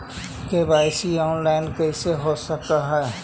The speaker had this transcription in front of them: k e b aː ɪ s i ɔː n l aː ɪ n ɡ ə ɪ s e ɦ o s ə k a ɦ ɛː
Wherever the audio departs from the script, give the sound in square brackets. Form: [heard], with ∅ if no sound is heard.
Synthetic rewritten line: k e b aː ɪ s i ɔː n l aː ɪ n [k] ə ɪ s e ɦ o s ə k a ɦ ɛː